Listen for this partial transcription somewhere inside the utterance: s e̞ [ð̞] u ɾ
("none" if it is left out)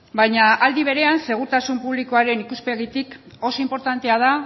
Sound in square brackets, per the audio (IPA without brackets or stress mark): ɣ̞